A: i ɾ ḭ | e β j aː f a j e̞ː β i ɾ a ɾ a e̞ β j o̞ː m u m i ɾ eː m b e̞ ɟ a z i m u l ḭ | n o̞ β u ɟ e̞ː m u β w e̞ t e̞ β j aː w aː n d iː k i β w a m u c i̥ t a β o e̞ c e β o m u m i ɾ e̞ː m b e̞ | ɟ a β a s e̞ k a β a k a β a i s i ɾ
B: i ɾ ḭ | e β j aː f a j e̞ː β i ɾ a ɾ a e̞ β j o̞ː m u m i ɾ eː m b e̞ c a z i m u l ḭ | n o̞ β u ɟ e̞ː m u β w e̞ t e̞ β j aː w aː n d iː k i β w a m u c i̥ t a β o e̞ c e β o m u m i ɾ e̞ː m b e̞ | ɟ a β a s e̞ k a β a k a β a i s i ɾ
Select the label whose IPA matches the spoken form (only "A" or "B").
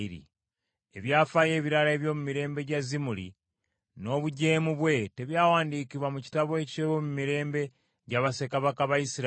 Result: A